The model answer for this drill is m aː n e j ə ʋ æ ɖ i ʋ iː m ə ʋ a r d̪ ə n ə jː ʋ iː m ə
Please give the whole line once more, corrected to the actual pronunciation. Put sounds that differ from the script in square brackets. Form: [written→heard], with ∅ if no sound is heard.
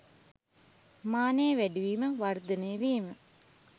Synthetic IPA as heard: m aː n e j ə ʋ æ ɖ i ʋ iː m ə ʋ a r d̪ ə n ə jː ʋ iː m ə

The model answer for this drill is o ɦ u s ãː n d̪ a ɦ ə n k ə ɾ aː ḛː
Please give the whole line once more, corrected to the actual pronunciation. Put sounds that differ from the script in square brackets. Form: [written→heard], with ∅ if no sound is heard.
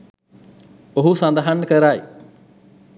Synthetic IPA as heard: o ɦ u s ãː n d̪ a ɦ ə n k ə ɾ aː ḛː

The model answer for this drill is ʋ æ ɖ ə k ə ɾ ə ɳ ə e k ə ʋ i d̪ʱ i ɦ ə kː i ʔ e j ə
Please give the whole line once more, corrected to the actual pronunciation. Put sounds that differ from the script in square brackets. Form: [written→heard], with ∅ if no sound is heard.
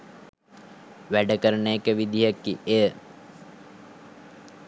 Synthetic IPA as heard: ʋ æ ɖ ə k ə ɾ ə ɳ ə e k ə ʋ i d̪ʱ i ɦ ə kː i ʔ e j ə

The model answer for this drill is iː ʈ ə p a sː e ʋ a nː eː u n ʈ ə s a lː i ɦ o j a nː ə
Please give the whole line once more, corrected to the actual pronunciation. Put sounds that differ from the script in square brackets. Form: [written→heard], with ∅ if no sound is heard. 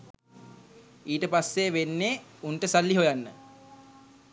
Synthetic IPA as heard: iː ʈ ə p a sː e ʋ [a→e] nː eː u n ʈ ə s a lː i ɦ o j a nː ə

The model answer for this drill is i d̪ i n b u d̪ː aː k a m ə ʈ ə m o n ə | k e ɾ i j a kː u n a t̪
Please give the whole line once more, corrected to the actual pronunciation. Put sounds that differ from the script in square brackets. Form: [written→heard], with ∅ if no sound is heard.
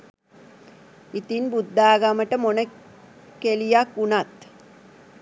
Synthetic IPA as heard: i [d̪→t̪] i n b u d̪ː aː [k→ɡ] a m ə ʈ ə m o n ə | k e [ɾ→l] i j a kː u n a t̪

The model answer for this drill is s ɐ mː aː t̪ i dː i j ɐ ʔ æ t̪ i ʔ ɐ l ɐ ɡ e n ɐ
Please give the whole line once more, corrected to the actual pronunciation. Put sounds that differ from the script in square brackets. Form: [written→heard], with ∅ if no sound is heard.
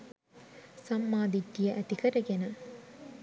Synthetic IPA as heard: s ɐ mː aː [t̪→d̪] i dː i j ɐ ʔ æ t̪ i [ʔ→k] ɐ [l→ɾ] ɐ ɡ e n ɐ

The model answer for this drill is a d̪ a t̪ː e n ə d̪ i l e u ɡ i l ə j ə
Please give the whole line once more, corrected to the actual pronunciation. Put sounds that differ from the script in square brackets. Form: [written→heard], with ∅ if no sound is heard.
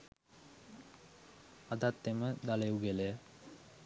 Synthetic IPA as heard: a d̪ a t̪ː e [n→m] ə d̪ [i→a] l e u ɡ [i→e] l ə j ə

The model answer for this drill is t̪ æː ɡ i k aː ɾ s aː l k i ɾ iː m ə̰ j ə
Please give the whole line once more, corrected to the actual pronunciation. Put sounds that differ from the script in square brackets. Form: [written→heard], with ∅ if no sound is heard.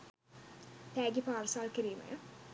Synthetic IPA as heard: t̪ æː ɡ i [k→p] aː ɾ s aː l k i ɾ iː m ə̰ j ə

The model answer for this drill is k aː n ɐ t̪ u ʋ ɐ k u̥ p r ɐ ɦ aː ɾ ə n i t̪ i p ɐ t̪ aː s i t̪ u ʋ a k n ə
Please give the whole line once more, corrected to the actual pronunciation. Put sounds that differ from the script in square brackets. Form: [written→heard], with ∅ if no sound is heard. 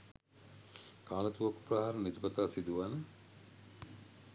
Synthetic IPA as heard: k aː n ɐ t̪ u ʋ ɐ k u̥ p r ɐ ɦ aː ɾ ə n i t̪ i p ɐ t̪ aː s i [t̪→d̪] u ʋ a [k→∅] n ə

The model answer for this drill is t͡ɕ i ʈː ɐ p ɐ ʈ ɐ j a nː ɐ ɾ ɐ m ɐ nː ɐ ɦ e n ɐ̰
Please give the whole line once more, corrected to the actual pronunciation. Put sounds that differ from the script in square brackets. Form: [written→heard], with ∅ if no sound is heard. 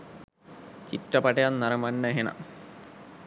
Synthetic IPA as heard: t͡ɕ i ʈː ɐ p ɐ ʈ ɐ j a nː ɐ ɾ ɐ m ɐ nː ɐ ɦ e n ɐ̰

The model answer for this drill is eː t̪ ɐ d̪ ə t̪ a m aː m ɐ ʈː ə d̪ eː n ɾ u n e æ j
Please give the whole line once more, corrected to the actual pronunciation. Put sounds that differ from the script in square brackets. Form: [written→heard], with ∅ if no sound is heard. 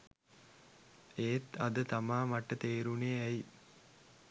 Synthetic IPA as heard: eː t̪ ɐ d̪ ə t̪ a m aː m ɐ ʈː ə [d̪→t̪] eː [n→∅] ɾ u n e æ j

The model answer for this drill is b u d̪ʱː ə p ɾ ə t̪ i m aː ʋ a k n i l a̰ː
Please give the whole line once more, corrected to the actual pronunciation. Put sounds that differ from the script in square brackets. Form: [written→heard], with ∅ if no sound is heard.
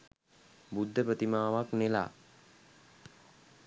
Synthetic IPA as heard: b u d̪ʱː ə p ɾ ə t̪ i m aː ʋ a k n [i→e] l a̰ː

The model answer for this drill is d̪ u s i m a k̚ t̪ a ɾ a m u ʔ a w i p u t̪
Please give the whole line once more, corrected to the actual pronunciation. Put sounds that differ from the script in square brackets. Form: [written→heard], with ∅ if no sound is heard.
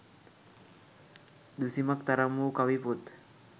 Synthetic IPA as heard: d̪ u s i m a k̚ t̪ a ɾ a m u [ʔ→k] a w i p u t̪

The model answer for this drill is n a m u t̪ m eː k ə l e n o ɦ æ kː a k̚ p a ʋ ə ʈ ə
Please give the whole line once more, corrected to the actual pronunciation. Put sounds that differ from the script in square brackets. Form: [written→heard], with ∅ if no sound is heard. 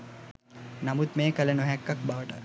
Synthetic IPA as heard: n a m u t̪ m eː k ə l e n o ɦ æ kː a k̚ [p→b] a ʋ ə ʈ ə

